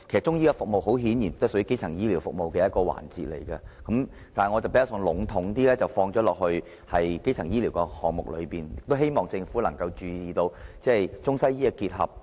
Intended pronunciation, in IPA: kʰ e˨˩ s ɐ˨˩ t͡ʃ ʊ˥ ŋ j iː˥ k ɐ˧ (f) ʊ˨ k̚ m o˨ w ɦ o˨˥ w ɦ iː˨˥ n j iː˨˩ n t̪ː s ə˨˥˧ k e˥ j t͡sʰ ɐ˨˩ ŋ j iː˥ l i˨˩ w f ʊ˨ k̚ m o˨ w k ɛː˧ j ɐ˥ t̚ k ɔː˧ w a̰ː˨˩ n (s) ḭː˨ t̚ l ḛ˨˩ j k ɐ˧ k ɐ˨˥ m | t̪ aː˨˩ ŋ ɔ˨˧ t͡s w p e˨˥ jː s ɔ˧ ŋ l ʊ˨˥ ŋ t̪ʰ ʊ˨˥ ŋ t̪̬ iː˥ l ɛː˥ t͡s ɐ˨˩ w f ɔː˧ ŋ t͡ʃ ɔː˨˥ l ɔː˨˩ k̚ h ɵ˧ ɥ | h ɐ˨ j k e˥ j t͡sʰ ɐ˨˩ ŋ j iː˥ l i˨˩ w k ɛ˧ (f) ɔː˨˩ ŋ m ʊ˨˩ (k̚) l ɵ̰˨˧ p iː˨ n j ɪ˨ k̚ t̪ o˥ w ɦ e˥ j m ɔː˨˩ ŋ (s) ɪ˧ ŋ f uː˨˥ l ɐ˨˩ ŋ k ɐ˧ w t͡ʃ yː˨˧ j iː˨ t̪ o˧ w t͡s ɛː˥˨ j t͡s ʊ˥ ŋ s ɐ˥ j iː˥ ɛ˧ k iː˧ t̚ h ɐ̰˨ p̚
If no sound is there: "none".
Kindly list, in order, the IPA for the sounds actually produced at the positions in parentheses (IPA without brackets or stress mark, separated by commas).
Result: f, t͡s, h, k̚, t͡s